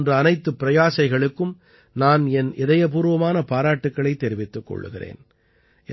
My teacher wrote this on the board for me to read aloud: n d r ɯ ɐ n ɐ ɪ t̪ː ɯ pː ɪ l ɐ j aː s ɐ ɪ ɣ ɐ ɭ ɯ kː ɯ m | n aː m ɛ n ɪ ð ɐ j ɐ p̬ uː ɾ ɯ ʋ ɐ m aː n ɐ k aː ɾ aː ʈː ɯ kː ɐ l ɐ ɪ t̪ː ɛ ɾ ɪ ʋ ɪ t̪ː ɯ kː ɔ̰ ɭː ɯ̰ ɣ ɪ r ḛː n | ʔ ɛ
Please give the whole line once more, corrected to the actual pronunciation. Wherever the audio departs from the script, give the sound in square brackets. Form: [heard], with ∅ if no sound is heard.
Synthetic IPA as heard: n d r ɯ ɐ n ɐ ɪ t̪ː ɯ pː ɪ [ɾ] ɐ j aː s ɐ ɪ ɣ ɐ ɭ ɯ kː ɯ m | n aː [n] ɛ n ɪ ð ɐ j ɐ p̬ uː ɾ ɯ ʋ ɐ m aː n ɐ [p] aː ɾ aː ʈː ɯ kː ɐ [ɭ] ɐ ɪ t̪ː ɛ ɾ ɪ ʋ ɪ t̪ː ɯ kː ɔ̰ ɭː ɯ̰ ɣ ɪ r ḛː n | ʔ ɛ